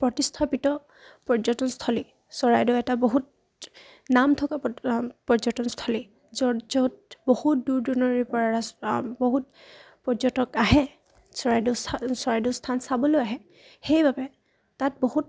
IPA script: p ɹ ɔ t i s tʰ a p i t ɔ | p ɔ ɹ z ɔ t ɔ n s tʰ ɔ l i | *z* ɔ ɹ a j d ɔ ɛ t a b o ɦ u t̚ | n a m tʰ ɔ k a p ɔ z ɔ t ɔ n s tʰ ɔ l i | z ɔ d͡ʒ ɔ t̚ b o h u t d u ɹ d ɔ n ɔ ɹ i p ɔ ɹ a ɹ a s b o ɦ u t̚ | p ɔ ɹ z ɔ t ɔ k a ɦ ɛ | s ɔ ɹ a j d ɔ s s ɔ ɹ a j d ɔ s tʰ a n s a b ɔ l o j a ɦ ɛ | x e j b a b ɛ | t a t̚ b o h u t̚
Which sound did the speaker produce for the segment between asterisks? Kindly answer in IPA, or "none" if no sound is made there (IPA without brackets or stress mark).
s